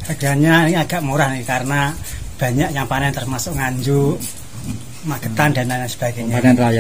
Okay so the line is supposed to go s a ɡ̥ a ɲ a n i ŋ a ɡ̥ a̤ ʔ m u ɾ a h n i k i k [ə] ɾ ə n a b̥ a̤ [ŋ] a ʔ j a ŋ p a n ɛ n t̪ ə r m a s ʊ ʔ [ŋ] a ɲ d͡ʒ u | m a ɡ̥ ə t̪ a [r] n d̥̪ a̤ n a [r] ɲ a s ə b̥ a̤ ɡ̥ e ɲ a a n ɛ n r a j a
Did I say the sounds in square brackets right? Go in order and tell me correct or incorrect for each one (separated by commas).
incorrect, incorrect, correct, incorrect, incorrect